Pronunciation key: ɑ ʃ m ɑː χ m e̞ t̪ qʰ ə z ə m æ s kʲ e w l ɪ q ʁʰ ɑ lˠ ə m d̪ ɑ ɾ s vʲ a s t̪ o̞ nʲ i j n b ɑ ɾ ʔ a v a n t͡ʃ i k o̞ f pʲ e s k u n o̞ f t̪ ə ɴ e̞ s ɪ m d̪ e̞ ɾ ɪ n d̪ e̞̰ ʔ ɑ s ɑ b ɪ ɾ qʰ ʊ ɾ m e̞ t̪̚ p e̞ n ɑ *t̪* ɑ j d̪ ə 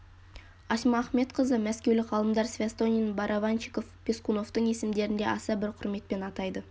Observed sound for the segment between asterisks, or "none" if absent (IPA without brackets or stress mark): t̪